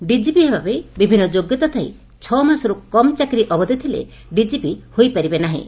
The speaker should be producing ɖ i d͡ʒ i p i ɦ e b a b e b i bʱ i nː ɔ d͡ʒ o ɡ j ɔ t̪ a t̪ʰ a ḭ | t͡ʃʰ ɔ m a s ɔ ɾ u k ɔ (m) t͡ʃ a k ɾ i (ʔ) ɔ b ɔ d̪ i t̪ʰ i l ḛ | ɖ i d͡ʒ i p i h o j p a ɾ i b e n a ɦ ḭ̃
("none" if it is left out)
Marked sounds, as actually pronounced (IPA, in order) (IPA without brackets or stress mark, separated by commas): m, ʔ